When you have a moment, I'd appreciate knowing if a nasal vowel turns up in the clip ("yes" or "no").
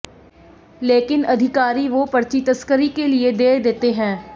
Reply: yes